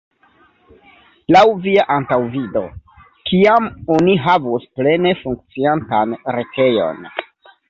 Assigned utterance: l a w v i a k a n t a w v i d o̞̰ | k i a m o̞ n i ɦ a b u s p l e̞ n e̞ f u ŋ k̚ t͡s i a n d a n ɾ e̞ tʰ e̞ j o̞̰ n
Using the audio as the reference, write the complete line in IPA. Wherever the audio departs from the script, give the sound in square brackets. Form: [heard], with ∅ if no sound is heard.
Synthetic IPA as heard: l a w v i a [ʔ] a n t a w v i d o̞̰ | k i a m o̞ n i ɦ a [v] u s p l e̞ n e̞ f u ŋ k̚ t͡s i a n [t] a n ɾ e̞ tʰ e̞ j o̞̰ n